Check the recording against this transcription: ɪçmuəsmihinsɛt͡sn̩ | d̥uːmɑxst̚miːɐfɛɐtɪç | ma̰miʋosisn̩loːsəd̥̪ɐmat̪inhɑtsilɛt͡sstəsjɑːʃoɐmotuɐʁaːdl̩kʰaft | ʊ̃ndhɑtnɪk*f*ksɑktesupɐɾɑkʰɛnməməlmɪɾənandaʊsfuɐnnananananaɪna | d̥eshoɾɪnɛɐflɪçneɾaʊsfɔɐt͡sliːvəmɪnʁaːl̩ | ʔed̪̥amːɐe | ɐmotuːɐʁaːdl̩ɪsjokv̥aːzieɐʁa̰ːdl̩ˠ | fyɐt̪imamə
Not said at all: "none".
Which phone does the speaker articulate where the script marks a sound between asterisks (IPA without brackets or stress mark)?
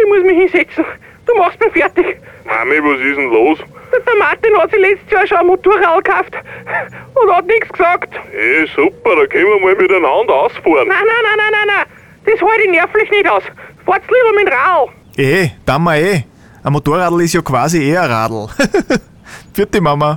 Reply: s